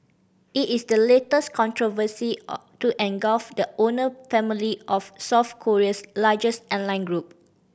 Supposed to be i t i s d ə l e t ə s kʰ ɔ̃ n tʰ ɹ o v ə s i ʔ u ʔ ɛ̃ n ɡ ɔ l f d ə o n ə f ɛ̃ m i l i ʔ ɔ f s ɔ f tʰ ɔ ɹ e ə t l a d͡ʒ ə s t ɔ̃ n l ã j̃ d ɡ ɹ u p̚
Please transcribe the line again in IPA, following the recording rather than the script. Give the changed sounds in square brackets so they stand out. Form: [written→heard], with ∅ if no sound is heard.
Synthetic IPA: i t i s d ə l e t ə s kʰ ɔ̃ n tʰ ɹ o v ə s i [ʔ→t] u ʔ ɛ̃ n ɡ ɔ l f d ə o n ə f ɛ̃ m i l i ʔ ɔ f s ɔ f [tʰ→kʰ] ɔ ɹ [e→i] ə [t→s] l a d͡ʒ ə s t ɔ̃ n l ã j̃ [d→n] ɡ ɹ u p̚